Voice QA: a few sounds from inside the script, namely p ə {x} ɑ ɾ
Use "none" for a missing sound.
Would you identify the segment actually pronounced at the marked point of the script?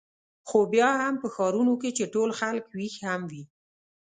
x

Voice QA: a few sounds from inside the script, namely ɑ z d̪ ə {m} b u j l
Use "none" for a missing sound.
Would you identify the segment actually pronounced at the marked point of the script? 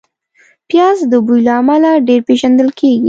none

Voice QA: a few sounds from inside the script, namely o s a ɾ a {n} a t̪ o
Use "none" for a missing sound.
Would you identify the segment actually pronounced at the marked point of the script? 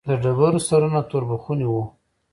n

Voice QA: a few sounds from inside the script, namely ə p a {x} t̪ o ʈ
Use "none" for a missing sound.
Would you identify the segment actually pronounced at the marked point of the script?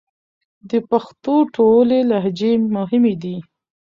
x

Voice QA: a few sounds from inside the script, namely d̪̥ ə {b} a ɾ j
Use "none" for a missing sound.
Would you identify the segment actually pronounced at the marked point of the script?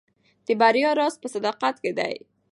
b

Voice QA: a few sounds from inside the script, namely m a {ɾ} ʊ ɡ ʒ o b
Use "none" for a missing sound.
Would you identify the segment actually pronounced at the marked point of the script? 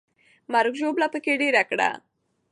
ɾ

